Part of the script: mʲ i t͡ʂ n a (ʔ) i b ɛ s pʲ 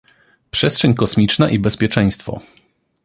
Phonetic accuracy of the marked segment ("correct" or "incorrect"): correct